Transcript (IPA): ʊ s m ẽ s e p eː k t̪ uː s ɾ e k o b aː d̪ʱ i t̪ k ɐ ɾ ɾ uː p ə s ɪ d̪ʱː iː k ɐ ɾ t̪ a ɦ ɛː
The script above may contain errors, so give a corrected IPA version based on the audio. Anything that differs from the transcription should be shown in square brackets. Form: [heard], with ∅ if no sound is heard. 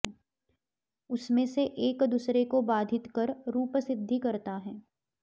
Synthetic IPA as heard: ʊ s m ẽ s e [ʔ] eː k [d̪] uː s ɾ e k o b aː d̪ʱ [ɪ] t̪ k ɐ ɾ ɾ uː p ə s ɪ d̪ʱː [i] k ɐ ɾ t̪ a ɦ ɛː